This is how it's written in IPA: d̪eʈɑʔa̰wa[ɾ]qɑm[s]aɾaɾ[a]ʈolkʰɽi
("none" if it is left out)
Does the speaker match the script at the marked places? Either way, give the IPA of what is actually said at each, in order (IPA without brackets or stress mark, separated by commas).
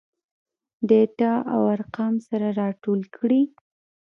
ɾ, s, ɑ